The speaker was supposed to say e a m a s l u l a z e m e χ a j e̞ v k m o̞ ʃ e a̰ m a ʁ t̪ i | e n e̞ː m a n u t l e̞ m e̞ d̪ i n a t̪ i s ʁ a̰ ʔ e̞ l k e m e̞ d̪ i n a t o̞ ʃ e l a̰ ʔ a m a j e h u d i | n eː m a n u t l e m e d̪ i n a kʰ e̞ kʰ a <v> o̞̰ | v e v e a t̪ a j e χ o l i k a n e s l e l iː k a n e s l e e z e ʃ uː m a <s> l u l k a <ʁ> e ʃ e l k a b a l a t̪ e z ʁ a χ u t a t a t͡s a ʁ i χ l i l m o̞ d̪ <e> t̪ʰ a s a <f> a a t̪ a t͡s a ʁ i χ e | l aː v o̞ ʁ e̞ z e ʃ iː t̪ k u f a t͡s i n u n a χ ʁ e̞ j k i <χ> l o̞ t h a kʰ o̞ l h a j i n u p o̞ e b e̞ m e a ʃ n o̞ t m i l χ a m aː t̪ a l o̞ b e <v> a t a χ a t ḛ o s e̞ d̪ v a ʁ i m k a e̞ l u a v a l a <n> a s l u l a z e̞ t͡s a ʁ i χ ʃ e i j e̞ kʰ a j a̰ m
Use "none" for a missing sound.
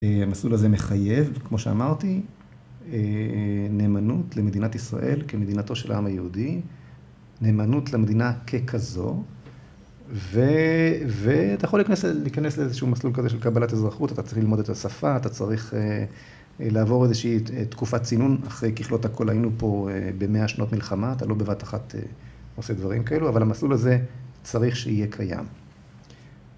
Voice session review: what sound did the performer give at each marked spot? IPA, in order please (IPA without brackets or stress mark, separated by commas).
z, s, z, e, f, χ, v, m